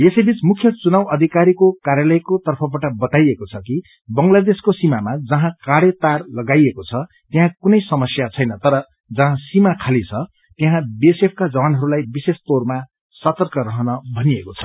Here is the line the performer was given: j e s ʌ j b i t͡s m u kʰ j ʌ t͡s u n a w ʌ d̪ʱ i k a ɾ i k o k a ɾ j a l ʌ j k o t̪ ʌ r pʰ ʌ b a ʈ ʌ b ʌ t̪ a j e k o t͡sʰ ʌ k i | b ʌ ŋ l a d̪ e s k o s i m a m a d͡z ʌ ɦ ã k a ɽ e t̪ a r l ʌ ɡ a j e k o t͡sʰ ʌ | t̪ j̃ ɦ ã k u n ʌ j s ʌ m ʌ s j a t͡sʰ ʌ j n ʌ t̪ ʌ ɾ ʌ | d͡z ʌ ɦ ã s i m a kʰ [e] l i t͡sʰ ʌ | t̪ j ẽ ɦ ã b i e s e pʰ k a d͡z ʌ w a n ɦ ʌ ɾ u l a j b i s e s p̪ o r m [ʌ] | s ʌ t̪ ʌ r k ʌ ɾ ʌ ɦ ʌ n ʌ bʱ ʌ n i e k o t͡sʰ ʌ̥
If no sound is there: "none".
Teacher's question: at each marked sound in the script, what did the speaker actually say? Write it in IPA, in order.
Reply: a, a

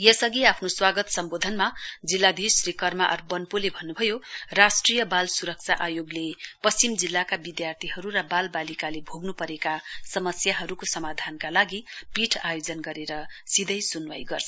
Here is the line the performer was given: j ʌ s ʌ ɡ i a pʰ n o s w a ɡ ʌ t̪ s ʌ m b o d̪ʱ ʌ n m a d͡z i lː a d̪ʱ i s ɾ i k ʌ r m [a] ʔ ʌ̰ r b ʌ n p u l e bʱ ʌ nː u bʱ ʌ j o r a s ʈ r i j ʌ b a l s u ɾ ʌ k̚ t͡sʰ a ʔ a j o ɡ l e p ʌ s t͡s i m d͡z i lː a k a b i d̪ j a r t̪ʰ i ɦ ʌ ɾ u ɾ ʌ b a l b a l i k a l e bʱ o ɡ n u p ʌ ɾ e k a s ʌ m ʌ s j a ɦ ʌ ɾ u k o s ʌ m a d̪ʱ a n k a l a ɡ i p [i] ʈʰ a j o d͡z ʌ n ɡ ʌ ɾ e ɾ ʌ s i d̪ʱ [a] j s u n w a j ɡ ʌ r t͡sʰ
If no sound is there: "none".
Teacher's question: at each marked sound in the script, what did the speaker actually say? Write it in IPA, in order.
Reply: a, i, ʌ

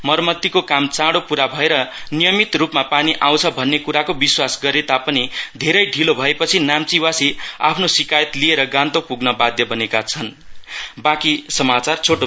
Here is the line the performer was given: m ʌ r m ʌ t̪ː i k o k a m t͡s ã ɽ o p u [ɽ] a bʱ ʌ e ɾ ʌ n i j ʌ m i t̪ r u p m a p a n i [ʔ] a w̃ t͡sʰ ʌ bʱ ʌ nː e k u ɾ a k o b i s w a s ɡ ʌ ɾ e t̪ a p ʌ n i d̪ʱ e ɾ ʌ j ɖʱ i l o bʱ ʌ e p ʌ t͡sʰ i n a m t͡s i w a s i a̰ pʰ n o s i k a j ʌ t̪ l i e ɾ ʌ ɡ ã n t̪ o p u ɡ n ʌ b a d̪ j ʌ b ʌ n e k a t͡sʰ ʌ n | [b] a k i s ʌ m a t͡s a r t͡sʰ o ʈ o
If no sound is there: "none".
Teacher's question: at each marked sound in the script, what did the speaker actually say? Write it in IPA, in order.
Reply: ɾ, ʔ, b

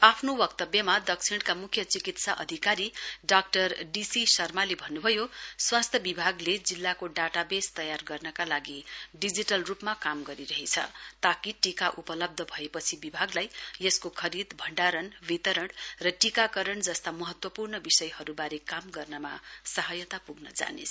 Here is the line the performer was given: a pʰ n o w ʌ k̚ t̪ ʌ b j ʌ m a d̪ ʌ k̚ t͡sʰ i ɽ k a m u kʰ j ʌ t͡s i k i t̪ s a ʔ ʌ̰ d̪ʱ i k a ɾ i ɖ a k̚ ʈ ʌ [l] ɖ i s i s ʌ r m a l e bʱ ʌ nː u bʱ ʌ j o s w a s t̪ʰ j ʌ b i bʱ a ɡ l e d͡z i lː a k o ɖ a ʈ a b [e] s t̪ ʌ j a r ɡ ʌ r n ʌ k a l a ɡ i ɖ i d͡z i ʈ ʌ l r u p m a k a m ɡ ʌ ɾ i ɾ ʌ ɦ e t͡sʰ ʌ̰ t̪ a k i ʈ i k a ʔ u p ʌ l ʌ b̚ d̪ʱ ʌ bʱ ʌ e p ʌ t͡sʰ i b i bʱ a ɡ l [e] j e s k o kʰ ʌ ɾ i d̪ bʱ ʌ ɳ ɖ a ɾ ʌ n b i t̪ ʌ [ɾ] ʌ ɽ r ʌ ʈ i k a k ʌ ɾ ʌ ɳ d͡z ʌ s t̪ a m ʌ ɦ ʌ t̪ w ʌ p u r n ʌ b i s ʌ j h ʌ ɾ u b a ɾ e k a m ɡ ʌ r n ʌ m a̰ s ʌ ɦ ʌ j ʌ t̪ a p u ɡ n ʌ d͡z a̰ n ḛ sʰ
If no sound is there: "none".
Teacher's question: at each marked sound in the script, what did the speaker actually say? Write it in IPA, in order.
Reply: r, e, a, ɾ

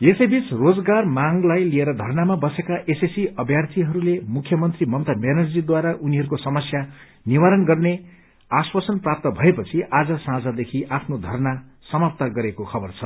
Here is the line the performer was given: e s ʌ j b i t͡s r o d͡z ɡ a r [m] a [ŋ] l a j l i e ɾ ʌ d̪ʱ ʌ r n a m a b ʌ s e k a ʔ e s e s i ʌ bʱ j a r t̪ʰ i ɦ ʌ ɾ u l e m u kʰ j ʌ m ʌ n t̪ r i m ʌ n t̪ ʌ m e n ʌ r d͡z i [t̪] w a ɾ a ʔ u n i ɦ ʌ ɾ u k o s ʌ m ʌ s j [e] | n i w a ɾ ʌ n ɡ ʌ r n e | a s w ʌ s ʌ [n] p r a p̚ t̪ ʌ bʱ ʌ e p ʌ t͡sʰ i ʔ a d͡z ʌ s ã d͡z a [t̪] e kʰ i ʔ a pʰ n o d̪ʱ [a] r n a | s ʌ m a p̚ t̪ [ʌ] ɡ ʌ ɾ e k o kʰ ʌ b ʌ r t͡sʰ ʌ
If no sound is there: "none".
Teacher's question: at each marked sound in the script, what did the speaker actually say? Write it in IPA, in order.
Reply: m, ŋ, d̪, a, n, d̪, ʌ, a

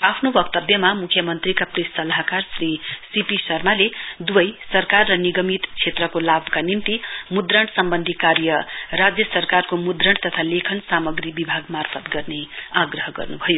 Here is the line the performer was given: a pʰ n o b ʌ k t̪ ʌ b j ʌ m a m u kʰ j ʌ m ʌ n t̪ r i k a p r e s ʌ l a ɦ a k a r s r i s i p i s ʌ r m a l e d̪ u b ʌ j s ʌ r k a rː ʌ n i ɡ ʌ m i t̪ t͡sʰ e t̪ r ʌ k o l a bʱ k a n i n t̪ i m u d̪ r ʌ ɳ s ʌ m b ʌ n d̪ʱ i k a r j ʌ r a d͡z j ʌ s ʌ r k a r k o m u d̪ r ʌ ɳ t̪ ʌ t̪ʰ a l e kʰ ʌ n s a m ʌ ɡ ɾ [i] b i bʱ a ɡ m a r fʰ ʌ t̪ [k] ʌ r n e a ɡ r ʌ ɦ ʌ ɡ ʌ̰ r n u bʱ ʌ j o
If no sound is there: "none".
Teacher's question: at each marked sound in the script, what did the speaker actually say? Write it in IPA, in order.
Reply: i, ɡ

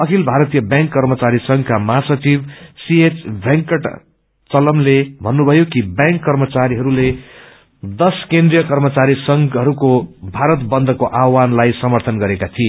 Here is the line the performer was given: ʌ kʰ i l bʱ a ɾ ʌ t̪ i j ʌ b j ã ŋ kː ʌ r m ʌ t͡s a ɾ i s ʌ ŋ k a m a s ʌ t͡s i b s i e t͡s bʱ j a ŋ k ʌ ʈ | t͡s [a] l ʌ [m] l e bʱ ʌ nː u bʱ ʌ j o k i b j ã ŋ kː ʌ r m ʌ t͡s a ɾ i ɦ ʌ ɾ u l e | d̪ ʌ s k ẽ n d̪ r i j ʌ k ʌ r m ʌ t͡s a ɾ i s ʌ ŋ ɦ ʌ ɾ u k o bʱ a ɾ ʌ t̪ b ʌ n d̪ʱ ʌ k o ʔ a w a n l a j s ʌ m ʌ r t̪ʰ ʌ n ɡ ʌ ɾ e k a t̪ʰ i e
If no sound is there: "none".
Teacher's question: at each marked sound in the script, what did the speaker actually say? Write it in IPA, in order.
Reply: ʌ, m

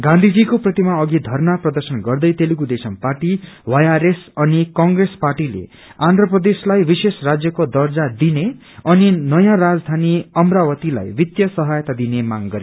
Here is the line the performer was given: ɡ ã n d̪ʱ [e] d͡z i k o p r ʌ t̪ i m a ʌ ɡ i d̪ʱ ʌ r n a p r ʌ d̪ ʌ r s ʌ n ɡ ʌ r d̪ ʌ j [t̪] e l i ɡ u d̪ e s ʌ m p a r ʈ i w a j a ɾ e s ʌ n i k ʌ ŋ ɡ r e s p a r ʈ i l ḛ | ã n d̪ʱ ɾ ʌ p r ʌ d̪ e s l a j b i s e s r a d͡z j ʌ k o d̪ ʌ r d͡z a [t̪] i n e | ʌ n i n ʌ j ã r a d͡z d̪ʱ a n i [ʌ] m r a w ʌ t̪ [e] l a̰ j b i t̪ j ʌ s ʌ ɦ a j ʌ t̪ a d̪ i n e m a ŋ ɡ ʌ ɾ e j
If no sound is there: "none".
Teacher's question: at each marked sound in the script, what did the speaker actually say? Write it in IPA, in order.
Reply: i, t̪, d̪, ʌ, i

